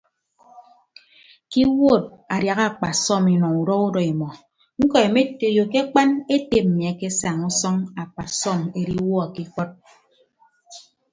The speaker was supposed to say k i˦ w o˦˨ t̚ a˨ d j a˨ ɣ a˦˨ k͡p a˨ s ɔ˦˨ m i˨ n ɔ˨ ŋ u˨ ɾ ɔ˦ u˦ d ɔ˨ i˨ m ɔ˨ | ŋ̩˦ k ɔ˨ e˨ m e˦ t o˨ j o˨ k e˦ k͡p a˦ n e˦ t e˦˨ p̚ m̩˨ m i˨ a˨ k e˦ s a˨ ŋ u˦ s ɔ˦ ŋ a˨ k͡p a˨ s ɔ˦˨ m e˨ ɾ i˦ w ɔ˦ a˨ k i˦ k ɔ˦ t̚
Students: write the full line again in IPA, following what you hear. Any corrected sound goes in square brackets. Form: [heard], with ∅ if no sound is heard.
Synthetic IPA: k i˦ w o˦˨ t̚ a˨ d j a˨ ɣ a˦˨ k͡p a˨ s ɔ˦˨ m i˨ n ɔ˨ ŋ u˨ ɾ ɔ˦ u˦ d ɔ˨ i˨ m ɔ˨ | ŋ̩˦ k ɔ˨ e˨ m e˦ t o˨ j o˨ k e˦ k͡p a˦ n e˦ t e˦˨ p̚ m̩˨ m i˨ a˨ k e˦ s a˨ ŋ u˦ s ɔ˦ ŋ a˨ k͡p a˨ s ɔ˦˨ m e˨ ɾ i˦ w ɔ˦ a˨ k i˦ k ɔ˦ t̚